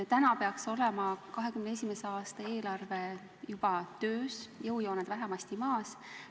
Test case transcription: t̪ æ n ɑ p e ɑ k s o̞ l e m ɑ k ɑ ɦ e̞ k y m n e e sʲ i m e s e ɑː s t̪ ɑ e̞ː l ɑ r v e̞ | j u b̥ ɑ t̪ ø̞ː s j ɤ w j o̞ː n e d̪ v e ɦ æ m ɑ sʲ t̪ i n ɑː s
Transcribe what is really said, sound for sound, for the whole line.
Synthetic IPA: t̪ æ n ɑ p e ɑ k s o̞ l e m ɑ k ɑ ɦ e̞ k y m n e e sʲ i m e s e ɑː s t̪ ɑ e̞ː l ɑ r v e̞ | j u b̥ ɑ t̪ ø̞ː s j ɤ w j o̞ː n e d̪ v æ ɦ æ m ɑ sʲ t̪ i m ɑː s